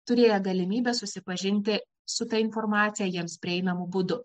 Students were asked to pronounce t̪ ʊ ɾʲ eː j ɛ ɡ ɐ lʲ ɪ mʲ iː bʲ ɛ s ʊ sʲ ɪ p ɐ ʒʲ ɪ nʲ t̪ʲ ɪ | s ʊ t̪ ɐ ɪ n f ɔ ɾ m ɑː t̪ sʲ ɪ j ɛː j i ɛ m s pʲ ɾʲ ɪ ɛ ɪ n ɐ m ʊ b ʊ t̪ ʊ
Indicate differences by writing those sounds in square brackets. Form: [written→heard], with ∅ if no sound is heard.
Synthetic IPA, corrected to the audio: t̪ ʊ ɾʲ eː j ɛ ɡ ɐ lʲ ɪ mʲ iː bʲ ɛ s ʊ sʲ ɪ p ɐ ʒʲ ɪ nʲ t̪ʲ ɪ | s ʊ t̪ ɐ ɪ n f ɔ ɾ m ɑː t̪ sʲ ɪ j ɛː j i ɛ m s pʲ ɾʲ ɪ ɛ ɪ n ɐ m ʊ b ʊ [t̪→d̪] ʊ